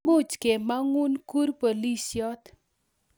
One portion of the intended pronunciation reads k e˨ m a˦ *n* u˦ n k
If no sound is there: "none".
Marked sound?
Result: ŋ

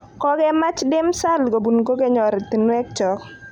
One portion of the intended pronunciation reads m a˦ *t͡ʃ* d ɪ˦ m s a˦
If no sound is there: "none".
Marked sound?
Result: t͡ʃ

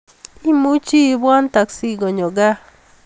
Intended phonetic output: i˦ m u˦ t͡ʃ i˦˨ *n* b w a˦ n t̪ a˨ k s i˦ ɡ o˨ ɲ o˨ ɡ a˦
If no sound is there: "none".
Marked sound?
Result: none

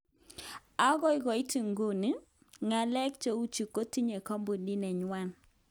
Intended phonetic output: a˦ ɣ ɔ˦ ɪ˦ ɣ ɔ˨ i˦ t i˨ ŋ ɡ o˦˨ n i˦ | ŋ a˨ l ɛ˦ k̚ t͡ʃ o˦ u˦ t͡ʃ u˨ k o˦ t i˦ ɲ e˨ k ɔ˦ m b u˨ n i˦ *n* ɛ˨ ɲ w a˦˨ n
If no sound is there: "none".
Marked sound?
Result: n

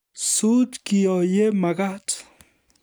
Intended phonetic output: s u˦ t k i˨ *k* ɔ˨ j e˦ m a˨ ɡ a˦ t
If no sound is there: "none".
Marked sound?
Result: none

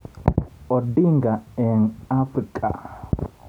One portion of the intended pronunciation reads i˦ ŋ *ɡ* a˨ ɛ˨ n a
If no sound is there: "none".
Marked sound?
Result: ɡ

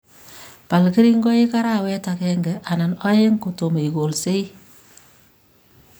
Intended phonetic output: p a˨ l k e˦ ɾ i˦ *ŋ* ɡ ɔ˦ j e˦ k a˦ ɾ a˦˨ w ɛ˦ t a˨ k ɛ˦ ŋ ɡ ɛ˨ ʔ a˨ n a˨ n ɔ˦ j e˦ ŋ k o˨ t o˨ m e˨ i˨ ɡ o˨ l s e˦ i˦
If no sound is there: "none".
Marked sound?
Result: ŋ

